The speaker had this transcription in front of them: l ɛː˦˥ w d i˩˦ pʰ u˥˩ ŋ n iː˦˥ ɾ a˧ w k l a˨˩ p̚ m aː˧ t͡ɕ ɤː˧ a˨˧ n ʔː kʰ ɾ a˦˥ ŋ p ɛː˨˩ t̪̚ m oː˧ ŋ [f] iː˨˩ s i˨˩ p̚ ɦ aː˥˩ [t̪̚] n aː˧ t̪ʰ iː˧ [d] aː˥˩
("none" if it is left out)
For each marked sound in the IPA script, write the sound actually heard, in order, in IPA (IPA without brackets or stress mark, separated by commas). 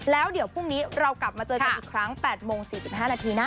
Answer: s, none, n